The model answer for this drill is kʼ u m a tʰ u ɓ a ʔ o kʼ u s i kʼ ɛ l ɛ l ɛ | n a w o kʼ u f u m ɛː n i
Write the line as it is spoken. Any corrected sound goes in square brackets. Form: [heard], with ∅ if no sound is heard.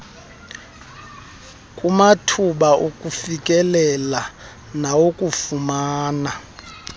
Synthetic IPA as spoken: kʼ u m a tʰ u ɓ a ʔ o kʼ u [f] i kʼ ɛ l ɛ l [a] | n a w o kʼ u f u m [aː] n [a]